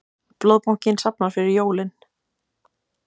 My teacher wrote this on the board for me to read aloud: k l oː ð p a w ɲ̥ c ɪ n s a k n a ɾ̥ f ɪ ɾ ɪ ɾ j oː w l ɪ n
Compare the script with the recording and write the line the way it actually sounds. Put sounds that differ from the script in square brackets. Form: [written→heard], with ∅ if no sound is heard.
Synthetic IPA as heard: [k→p] l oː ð p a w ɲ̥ c ɪ n s a [k→p] n a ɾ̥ f ɪ ɾ ɪ ɾ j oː w l ɪ n